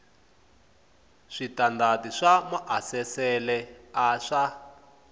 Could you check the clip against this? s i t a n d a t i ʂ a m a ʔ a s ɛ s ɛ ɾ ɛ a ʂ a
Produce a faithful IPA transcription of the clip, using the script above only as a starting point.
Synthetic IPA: ʂ i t a n d a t i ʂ a m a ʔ a s ɛ s ɛ l ɛ a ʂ a